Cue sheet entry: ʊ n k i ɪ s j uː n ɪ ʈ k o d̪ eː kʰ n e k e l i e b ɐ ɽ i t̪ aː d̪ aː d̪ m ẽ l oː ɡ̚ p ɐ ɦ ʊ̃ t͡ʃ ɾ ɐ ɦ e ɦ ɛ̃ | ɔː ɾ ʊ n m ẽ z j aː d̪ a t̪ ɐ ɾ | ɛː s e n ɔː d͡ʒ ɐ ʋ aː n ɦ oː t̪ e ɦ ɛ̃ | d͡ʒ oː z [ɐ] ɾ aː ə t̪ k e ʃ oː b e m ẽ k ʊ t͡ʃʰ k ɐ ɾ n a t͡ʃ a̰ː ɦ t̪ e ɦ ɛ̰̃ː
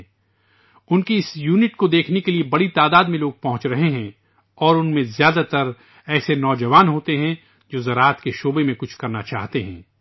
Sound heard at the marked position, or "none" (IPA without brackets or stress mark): ɐ